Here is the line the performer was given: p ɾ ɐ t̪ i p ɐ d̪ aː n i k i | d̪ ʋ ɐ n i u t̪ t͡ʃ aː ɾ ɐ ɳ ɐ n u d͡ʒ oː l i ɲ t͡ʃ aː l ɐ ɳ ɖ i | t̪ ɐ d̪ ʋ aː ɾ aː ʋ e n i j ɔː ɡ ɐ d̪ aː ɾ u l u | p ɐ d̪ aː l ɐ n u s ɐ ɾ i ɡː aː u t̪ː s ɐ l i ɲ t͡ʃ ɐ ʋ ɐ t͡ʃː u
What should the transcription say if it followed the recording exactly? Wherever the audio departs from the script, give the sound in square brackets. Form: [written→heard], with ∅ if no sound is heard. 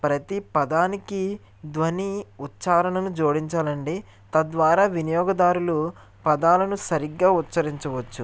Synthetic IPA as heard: p ɾ ɐ t̪ i p ɐ d̪ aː n i k i | d̪ ʋ ɐ n i u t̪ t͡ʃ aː ɾ ɐ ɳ ɐ n u d͡ʒ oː [l→ɽ] i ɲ t͡ʃ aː l ɐ ɳ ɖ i | t̪ ɐ d̪ ʋ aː ɾ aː ʋ [e→i] n i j ɔː ɡ ɐ d̪ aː ɾ u l u | p ɐ d̪ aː l ɐ n u s ɐ ɾ i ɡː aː u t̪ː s ɐ [l→ɾ] i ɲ t͡ʃ ɐ ʋ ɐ t͡ʃː u